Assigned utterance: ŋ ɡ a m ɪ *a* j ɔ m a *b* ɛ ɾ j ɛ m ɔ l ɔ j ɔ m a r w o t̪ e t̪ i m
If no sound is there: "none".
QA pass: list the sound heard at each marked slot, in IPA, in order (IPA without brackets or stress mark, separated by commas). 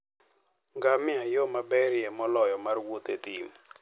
a, b